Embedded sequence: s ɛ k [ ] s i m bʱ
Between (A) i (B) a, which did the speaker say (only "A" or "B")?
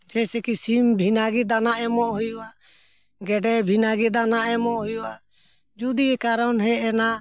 A